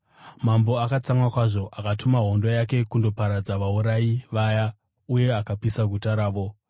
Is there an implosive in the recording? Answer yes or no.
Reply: no